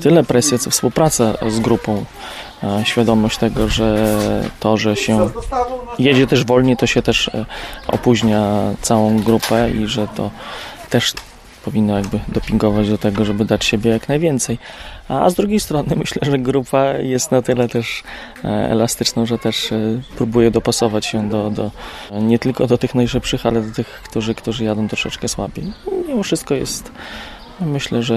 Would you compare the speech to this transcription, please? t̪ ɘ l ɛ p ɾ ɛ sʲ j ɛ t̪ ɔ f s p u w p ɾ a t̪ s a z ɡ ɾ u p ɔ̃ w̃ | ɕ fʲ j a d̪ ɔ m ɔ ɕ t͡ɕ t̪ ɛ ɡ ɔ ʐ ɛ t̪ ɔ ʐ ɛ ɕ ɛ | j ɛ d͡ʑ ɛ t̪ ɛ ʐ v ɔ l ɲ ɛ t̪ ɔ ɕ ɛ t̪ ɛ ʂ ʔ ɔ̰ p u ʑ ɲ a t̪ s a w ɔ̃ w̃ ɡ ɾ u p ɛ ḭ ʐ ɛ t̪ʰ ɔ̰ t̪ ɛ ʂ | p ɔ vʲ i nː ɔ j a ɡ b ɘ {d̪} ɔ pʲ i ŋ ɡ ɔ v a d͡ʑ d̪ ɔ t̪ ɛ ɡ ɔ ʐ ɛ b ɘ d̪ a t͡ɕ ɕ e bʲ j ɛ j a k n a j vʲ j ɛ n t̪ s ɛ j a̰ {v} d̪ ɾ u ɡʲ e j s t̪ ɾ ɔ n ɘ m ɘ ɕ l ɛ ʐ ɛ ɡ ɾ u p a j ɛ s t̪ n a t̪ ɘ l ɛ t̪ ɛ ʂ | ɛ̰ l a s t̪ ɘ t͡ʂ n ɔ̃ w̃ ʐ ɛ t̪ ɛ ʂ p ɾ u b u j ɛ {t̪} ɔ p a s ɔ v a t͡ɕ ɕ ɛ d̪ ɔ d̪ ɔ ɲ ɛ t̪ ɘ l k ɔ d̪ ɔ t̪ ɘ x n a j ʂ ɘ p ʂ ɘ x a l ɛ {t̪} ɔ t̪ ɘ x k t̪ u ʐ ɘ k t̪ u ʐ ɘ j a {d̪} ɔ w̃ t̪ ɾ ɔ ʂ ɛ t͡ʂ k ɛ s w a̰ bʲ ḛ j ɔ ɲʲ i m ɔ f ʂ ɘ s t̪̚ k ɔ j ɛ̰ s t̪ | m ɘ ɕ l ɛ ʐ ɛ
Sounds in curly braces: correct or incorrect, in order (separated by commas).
correct, incorrect, incorrect, incorrect, correct